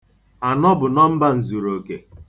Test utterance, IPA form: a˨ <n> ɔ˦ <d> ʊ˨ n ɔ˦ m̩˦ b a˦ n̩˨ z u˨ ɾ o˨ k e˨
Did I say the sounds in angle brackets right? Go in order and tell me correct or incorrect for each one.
correct, incorrect: b

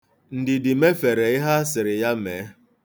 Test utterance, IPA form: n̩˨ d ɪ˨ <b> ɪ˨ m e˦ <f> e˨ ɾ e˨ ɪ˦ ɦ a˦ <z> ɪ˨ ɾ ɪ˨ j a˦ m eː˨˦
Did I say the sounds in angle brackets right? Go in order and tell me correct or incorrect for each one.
incorrect: d, correct, incorrect: s

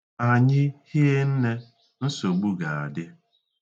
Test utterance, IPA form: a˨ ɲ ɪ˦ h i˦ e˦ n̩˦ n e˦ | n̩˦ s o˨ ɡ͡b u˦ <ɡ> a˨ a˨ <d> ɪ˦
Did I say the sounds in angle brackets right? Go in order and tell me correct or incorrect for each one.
correct, correct

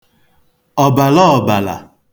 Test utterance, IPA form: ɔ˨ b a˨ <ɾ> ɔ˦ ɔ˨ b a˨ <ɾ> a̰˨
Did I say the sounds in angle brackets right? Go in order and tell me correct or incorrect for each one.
incorrect: l, incorrect: l

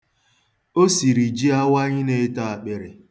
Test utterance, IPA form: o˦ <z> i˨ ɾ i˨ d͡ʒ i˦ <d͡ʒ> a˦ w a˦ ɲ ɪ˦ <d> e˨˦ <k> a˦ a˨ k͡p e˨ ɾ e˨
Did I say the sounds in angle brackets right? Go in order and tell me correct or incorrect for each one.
incorrect: s, incorrect: none, incorrect: n, incorrect: t

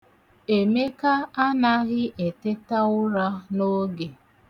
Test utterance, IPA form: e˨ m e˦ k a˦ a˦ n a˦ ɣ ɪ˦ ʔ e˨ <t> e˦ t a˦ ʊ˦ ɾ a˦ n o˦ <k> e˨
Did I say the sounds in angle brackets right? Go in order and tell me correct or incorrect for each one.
correct, incorrect: ɡ

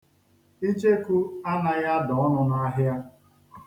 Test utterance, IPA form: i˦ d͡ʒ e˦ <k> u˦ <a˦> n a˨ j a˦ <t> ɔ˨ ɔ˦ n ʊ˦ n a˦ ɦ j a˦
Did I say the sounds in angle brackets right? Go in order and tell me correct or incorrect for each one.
correct, correct, incorrect: d

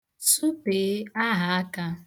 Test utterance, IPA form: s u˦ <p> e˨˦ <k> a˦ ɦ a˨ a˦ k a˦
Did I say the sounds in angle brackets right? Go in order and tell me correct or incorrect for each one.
correct, incorrect: none

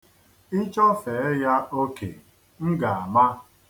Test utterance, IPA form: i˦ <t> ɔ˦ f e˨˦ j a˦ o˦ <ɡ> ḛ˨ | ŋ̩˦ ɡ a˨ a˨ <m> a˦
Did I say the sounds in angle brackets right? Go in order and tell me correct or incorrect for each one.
incorrect: t͡ʃ, incorrect: k, correct

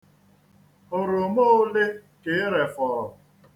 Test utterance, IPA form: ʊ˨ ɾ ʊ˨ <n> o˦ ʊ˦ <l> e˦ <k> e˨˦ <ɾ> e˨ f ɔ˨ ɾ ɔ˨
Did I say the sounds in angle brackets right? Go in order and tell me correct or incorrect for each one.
incorrect: m, correct, correct, correct

